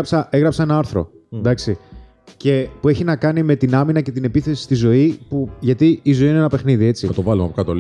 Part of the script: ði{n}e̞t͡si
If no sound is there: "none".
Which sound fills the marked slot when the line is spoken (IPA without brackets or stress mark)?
none